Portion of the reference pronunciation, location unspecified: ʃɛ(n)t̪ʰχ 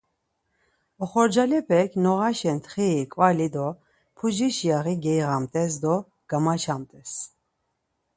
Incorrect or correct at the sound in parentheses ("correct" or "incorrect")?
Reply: correct